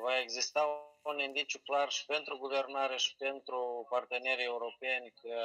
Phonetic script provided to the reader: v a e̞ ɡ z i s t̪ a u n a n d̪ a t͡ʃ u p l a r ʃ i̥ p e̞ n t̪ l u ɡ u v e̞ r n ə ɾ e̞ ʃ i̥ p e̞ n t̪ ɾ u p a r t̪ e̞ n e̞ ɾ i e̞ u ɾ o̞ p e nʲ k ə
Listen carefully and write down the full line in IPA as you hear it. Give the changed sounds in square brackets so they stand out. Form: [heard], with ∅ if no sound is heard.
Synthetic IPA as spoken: v a e̞ ɡ z i s t̪ a u n [i] n d̪ [i] t͡ʃ u [k] l a r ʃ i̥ p e̞ n t̪ [ɾ] u ɡ u v e̞ r n [a] ɾ e̞ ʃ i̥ p e̞ n t̪ ɾ u p a r t̪ e̞ n e̞ ɾ i e̞ u ɾ o̞ p e nʲ k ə